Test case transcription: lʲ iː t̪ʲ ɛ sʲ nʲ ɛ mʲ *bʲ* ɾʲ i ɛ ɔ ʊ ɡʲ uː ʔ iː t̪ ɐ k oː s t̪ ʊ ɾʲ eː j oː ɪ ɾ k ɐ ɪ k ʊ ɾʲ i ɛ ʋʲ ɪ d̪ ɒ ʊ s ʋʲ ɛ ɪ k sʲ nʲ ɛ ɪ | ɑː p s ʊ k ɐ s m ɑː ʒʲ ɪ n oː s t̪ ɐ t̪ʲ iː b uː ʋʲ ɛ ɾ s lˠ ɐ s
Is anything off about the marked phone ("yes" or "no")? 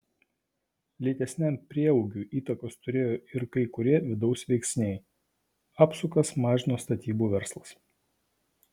yes